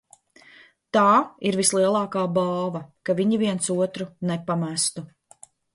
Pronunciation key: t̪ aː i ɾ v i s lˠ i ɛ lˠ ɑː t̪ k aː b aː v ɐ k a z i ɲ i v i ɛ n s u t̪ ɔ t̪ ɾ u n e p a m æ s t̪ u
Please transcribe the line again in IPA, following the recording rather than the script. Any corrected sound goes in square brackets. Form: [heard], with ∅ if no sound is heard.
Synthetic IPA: t̪ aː i ɾ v i s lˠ i ɛ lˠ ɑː [∅] k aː b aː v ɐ k a [v] i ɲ i v i ɛ n s u [∅] ɔ t̪ ɾ u n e p a m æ s t̪ u